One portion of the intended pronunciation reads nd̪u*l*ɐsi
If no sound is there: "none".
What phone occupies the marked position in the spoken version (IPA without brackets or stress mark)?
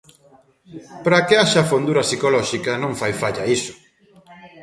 ɾ